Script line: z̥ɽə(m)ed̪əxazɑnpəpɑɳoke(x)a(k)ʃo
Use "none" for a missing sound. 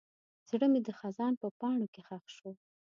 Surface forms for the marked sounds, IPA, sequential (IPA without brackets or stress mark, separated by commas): m, x, x